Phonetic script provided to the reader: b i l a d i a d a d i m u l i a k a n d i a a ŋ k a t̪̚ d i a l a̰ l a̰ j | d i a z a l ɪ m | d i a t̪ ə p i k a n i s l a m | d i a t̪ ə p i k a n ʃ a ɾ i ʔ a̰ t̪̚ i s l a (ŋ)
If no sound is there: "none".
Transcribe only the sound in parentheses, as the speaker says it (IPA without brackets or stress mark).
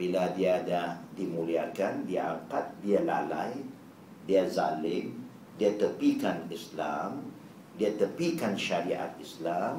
m